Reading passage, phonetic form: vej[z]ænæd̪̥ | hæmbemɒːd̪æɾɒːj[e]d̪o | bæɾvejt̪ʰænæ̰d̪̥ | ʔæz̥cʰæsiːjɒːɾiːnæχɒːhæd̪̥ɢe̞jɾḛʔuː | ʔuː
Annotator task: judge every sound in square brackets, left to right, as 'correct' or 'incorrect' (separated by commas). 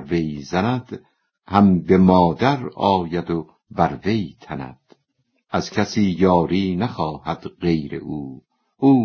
correct, incorrect